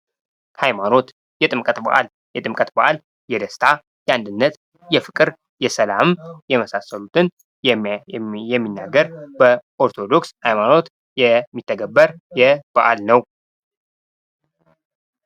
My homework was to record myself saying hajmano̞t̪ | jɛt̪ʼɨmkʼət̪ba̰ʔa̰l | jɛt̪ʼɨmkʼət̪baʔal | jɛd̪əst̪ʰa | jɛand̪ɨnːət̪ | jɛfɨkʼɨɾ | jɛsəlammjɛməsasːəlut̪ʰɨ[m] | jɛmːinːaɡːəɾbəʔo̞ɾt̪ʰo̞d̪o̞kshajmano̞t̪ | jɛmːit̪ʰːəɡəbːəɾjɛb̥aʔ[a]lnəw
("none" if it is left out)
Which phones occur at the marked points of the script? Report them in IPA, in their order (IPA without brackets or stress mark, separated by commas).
n, a